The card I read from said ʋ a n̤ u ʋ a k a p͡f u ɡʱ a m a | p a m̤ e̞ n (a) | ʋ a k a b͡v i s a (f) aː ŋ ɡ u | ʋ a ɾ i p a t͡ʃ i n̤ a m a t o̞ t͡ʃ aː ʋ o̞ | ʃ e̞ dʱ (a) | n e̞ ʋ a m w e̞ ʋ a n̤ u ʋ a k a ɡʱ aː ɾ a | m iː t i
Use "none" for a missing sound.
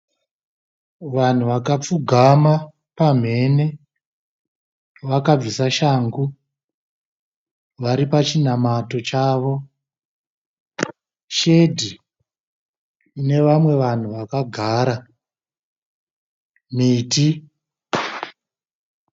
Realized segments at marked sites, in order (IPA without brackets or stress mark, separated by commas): e, ʃ, i